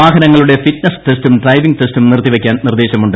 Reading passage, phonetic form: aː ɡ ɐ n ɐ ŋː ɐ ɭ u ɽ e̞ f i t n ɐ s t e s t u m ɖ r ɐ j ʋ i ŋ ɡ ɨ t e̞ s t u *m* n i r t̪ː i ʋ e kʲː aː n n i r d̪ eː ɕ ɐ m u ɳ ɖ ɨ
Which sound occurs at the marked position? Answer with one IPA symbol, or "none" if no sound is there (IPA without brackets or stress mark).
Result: m